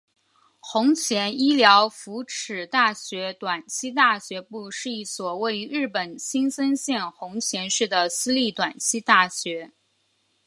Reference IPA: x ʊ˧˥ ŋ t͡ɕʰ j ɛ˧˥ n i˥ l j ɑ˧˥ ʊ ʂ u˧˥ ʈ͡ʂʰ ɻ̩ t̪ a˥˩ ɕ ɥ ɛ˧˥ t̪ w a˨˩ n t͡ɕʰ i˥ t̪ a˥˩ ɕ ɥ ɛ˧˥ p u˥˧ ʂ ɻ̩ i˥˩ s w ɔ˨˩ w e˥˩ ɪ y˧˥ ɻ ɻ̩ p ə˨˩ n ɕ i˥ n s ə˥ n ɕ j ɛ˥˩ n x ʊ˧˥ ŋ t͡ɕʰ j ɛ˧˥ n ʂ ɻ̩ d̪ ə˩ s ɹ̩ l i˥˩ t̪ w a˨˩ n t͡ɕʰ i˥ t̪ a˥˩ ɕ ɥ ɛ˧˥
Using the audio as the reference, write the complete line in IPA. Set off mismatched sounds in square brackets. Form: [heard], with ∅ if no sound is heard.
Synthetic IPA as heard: x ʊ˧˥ ŋ t͡ɕʰ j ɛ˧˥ n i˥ l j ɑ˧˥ ʊ [f] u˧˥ ʈ͡ʂʰ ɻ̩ t̪ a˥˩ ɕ ɥ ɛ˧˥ t̪ w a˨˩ n t͡ɕʰ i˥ t̪ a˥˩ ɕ ɥ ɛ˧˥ p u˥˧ ʂ ɻ̩ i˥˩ s w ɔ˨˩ w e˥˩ ɪ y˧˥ ɻ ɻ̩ p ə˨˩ n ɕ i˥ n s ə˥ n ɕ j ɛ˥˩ n x ʊ˧˥ ŋ t͡ɕʰ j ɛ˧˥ n ʂ ɻ̩ d̪ ə˩ s ɹ̩ l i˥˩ t̪ w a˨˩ n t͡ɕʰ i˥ t̪ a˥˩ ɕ ɥ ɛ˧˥

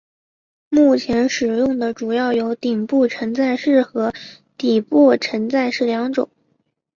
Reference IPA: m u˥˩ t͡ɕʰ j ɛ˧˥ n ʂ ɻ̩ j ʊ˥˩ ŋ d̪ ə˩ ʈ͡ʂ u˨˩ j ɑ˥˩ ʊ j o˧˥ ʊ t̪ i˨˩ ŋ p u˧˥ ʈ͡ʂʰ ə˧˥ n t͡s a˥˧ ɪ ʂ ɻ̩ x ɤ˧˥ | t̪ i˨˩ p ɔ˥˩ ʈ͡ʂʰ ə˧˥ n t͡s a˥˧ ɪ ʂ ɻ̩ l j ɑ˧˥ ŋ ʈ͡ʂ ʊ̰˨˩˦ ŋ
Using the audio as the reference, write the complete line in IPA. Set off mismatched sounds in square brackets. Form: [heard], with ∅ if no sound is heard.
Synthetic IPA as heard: m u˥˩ t͡ɕʰ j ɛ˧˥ n ʂ ɻ̩ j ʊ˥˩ ŋ d̪ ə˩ ʈ͡ʂ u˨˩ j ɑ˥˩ ʊ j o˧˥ ʊ t̪ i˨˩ ŋ p [u˥˩] ʈ͡ʂʰ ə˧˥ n t͡s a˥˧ ɪ ʂ ɻ̩ x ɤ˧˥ | t̪ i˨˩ p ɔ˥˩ ʈ͡ʂʰ ə˧˥ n t͡s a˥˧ ɪ ʂ ɻ̩ l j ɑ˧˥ ŋ ʈ͡ʂ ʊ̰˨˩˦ ŋ

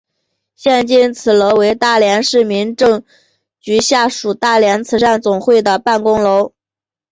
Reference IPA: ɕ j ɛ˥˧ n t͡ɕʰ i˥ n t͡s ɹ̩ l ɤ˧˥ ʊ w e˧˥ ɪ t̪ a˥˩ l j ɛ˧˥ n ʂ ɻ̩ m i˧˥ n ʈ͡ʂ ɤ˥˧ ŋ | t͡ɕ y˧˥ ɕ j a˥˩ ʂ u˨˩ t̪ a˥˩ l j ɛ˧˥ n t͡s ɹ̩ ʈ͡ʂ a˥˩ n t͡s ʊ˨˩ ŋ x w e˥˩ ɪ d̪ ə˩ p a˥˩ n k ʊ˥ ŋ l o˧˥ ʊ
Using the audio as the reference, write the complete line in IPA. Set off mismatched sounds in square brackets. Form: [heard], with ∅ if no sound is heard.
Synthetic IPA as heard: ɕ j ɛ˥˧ n [t͡ɕ] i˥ n [t͡sʰ] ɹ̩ l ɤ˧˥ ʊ w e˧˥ ɪ t̪ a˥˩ l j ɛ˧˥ n ʂ ɻ̩ m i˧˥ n ʈ͡ʂ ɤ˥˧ ŋ | t͡ɕ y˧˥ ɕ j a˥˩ ʂ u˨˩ t̪ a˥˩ l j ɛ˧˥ n [t͡sʰ] ɹ̩ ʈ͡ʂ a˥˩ n t͡s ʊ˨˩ ŋ x w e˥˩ ɪ d̪ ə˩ p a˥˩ n k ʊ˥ ŋ l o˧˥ ʊ

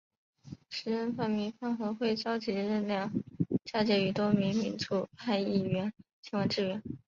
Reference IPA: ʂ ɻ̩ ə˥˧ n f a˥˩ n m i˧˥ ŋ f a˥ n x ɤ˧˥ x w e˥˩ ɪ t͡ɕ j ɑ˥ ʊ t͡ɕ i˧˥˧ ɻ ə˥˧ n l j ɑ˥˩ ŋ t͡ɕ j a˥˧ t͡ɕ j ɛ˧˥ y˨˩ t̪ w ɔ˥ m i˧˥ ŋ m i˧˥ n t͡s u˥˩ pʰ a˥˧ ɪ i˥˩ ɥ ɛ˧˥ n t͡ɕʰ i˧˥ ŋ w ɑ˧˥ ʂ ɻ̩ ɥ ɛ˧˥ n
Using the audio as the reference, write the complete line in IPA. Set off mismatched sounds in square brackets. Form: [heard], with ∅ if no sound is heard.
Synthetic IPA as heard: ʂ ɻ̩ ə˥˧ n f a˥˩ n m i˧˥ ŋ f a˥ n x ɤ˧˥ x w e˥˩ ɪ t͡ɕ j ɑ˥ ʊ t͡ɕ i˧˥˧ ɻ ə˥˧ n l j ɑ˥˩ ŋ t͡ɕ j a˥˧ t͡ɕ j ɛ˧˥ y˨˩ t̪ w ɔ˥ m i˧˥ ŋ m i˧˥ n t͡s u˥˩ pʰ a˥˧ ɪ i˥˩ ɥ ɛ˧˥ n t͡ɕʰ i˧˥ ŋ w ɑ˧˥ [ʈ͡ʂ] ɻ̩ ɥ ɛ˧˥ n

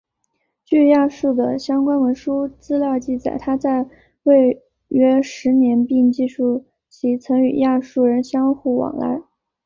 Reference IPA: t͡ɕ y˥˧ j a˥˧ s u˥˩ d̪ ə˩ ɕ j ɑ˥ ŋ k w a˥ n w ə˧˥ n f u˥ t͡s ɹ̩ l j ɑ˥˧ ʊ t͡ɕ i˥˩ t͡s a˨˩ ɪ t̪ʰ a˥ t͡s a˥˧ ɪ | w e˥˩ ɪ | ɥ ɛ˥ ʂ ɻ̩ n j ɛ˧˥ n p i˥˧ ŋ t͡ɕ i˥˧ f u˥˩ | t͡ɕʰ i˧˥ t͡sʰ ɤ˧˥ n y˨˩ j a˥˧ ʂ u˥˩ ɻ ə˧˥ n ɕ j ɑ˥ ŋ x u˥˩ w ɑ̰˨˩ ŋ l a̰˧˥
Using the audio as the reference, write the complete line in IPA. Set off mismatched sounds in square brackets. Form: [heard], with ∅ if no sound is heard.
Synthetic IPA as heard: t͡ɕ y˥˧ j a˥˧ [ʂ] u˥˩ d̪ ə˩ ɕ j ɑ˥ ŋ k w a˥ n w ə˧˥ n [ʂ] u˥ t͡s ɹ̩ l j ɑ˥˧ ʊ t͡ɕ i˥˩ t͡s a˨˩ ɪ t̪ʰ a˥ t͡s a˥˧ ɪ | w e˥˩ ɪ | ɥ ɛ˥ ʂ ɻ̩ n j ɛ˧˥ n p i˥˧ ŋ t͡ɕ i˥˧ [ʂ] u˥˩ | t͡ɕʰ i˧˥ t͡sʰ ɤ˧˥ [ŋ] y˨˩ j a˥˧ ʂ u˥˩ ɻ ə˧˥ n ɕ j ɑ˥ ŋ x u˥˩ w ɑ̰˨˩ ŋ l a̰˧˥

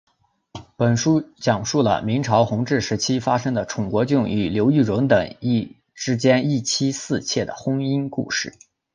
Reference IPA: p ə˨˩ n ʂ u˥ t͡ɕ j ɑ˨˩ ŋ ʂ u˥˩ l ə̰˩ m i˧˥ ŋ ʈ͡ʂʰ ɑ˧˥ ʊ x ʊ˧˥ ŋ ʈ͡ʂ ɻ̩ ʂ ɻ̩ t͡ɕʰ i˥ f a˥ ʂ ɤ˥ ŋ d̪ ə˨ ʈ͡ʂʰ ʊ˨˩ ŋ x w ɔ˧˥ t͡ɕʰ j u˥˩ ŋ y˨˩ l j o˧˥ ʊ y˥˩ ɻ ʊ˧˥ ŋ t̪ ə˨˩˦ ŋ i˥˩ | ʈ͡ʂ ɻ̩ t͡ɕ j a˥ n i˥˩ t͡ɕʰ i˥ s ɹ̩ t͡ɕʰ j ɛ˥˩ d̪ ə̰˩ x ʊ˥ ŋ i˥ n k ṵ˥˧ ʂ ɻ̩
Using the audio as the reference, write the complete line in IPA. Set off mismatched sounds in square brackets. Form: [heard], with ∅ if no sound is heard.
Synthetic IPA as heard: p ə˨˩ n ʂ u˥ t͡ɕ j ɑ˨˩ ŋ ʂ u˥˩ l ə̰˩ m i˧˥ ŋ ʈ͡ʂʰ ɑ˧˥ ʊ x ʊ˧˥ ŋ ʈ͡ʂ ɻ̩ ʂ ɻ̩ t͡ɕʰ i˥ f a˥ ʂ ɤ˥ ŋ d̪ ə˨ ʈ͡ʂʰ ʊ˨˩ ŋ [k] w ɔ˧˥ [t͡ɕ] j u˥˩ ŋ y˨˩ l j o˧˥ ʊ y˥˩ ɻ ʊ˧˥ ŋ t̪ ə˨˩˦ ŋ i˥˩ | ʈ͡ʂ ɻ̩ t͡ɕ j [ɛ˥] n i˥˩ t͡ɕʰ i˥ s ɹ̩ t͡ɕʰ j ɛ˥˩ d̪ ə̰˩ x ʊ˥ ŋ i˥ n k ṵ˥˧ ʂ ɻ̩

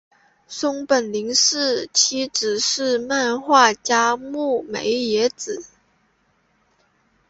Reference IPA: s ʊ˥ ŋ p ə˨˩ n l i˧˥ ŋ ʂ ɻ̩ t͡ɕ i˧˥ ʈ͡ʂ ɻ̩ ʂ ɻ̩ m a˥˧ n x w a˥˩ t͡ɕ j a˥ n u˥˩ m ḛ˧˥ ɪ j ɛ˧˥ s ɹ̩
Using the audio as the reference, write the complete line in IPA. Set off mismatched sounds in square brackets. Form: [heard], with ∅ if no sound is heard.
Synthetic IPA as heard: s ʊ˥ ŋ p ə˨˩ n l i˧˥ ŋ ʂ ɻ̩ [t͡ɕʰ] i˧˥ ʈ͡ʂ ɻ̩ ʂ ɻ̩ m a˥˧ n x w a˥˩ t͡ɕ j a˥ [m] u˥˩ m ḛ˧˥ ɪ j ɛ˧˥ [t͡s] ɹ̩

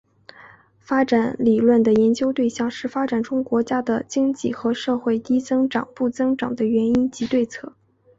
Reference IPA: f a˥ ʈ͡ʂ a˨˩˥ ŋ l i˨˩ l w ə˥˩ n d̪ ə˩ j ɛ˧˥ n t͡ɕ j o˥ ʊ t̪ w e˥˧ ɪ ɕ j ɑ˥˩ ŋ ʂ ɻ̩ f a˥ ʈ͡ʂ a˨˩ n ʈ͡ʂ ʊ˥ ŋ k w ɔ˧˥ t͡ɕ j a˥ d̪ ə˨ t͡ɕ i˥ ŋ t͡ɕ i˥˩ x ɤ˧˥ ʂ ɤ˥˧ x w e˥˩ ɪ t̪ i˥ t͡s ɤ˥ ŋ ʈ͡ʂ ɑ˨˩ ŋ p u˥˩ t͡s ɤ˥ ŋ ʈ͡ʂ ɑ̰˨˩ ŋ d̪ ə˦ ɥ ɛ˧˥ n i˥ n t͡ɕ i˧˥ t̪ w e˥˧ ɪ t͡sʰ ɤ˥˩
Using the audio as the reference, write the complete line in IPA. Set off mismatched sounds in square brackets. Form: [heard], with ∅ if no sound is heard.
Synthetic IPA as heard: f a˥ ʈ͡ʂ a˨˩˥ [n] l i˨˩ l w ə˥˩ n d̪ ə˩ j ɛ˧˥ n t͡ɕ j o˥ ʊ t̪ w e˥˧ ɪ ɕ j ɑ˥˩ ŋ ʂ ɻ̩ f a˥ ʈ͡ʂ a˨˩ n ʈ͡ʂ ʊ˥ ŋ k w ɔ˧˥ t͡ɕ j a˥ d̪ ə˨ t͡ɕ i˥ ŋ t͡ɕ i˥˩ x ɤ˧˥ ʂ ɤ˥˧ x w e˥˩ ɪ t̪ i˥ t͡s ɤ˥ ŋ ʈ͡ʂ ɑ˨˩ ŋ p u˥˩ t͡s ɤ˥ ŋ ʈ͡ʂ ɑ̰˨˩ ŋ d̪ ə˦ ɥ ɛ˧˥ n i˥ n t͡ɕ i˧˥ t̪ w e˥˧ ɪ t͡sʰ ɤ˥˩

